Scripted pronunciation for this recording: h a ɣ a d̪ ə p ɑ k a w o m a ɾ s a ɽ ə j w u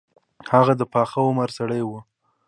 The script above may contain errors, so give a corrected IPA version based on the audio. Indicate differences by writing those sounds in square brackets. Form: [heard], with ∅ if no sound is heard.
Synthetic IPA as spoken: h a ɣ a d̪ ə p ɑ [x] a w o m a ɾ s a ɽ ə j w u

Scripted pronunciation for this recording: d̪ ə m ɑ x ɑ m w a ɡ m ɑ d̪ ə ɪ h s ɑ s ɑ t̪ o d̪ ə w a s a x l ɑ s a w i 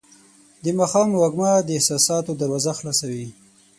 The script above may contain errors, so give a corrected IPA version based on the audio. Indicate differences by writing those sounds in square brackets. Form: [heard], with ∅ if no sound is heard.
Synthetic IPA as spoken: d̪ ə m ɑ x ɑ m w a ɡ m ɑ d̪ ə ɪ h s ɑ s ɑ t̪ o d̪ ə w a [z] a x l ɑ s a w i

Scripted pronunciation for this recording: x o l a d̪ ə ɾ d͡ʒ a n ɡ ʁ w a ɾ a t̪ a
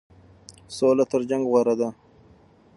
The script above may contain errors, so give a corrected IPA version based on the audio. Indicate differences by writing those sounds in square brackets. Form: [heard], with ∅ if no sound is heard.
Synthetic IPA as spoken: [s] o l a [t̪] ə ɾ d͡ʒ a [ŋ] ɡ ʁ w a ɾ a [d̪] a

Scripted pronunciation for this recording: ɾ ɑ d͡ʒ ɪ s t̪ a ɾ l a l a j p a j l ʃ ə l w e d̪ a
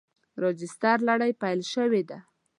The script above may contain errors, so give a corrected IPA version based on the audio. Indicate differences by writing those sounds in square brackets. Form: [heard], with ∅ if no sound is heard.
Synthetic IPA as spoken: ɾ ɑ d͡ʒ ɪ s t̪ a ɾ l a [ɽ] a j p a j l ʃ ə [∅] w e d̪ a

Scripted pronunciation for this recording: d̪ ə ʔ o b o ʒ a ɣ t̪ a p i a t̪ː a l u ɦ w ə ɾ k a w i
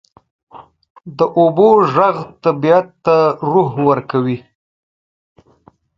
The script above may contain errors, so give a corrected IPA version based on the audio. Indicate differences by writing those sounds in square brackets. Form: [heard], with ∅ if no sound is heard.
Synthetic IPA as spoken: d̪ ə ʔ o b o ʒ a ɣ t̪ a [b] i a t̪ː a [ɾ] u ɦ w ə ɾ k a w i

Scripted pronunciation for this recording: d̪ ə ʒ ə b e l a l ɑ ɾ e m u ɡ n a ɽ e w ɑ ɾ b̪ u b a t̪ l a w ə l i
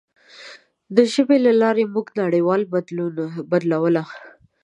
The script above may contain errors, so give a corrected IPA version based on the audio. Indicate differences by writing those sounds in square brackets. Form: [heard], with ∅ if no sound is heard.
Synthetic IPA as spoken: d̪ ə ʒ ə b e l a l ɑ ɾ e m u ɡ n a ɽ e w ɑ [l] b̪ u b a [d̪] l a w ə l [a]

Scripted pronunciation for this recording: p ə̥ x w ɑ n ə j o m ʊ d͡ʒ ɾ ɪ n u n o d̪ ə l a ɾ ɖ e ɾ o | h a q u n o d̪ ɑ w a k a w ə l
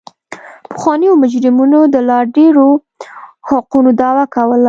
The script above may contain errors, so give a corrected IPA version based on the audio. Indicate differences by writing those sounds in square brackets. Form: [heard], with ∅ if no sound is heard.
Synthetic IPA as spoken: p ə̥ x w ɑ n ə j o m ʊ d͡ʒ ɾ ɪ [m] u n o d̪ ə l [ɑ] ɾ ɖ e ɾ o | h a q u n o d̪ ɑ w a k a w ə l

